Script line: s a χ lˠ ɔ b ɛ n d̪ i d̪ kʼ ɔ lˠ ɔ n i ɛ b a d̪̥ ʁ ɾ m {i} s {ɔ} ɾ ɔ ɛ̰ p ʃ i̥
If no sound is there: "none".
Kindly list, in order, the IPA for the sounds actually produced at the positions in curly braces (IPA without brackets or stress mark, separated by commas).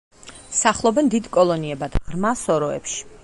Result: a, ɔ